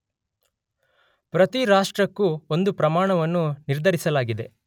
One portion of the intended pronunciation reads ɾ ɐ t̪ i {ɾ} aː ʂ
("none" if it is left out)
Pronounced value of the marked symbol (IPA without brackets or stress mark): ɾ